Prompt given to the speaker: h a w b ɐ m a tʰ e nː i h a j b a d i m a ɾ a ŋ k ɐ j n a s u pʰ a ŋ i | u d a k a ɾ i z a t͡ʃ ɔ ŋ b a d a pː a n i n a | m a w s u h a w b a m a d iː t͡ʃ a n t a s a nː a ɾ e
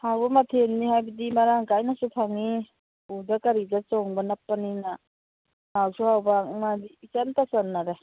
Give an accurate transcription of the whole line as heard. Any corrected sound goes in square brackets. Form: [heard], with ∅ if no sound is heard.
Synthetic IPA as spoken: h a w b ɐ m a tʰ e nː i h a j b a d i m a ɾ a ŋ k [a] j n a s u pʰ a ŋ i | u d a k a ɾ i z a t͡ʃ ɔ ŋ b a [n] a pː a n i n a | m a w s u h a w b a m a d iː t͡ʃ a n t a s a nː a ɾ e